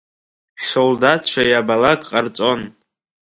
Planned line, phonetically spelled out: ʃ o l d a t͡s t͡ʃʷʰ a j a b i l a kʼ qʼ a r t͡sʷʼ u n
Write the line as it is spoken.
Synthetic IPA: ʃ o l d a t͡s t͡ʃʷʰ a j a b a l a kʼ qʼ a r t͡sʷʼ o n